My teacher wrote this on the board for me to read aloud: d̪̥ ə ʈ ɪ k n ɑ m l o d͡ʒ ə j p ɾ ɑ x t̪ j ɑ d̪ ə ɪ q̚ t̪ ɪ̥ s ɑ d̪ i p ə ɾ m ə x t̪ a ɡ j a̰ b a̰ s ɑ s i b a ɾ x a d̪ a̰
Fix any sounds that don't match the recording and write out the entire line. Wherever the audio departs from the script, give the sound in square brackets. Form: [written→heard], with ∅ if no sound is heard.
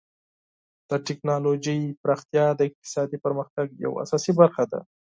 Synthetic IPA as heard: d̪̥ ə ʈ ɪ k n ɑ [m→∅] l o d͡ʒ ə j p ɾ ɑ x t̪ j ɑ d̪ ə ɪ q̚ t̪ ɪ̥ s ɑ d̪ i p ə ɾ m ə x t̪ a ɡ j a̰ [b→w] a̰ s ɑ s i b a ɾ x a d̪ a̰

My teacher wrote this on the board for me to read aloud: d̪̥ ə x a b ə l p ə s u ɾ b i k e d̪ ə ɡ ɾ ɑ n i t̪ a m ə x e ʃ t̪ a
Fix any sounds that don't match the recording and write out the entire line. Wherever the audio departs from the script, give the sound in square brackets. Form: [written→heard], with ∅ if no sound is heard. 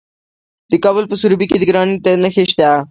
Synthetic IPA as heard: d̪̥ ə [x→k] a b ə l p ə s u ɾ b i k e d̪ ə ɡ ɾ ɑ n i t̪ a [m→n] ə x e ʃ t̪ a

